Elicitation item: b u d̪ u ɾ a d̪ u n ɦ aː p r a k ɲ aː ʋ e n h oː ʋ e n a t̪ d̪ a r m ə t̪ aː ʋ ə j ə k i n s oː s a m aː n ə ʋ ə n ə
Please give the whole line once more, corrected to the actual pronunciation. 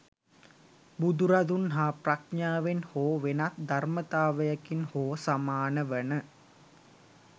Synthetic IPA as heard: b u d̪ u ɾ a d̪ u n ɦ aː p r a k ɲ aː ʋ e n h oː ʋ e n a t̪ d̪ a r m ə t̪ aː ʋ ə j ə k i n h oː s a m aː n ə ʋ ə n ə